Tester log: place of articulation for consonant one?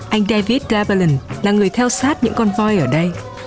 glottal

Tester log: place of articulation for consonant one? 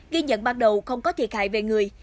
velar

